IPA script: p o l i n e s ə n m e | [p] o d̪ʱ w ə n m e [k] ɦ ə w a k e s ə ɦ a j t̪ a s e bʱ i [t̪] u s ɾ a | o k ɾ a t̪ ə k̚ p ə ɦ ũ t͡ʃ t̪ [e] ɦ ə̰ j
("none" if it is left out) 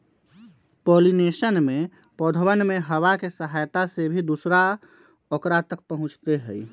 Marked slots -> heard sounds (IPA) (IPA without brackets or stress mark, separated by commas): p, none, d̪, e